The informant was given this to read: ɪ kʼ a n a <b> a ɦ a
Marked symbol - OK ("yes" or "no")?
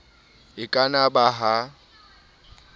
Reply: yes